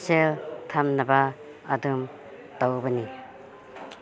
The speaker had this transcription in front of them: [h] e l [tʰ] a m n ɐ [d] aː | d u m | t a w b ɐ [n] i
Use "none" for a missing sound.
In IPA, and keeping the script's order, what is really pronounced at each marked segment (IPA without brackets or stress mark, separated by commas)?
s, tʰ, b, n